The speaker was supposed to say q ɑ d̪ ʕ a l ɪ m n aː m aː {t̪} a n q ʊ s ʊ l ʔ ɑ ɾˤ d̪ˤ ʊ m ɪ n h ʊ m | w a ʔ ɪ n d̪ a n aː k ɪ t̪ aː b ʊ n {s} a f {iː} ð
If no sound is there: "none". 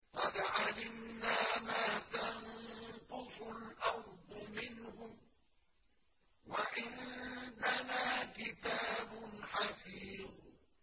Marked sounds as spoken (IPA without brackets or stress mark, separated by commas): t̪, ħ, iː